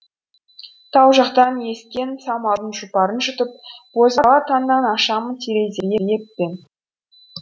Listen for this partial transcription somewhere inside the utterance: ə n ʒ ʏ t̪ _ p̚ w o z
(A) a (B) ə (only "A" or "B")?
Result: B